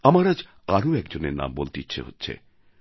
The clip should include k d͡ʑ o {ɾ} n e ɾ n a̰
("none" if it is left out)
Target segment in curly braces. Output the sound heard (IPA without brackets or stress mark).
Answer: none